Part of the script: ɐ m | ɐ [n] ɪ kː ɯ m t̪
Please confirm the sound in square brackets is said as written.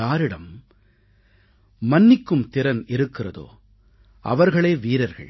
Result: no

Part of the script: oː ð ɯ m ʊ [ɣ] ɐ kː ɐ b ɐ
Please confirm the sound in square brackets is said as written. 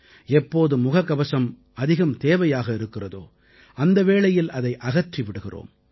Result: yes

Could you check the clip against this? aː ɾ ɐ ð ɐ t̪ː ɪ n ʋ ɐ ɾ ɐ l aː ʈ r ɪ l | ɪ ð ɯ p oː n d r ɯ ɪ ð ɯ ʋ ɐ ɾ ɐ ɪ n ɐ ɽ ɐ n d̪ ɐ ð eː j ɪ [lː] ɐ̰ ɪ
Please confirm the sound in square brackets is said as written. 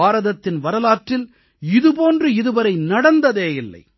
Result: yes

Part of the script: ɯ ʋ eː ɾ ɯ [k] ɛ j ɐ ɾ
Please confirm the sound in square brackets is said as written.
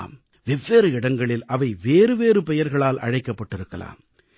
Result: no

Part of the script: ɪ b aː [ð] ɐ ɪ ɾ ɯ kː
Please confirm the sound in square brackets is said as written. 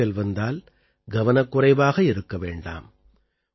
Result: no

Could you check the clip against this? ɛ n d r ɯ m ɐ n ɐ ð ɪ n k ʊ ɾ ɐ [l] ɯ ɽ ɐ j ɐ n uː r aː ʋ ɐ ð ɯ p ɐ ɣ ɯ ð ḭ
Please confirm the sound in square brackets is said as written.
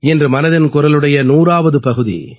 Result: yes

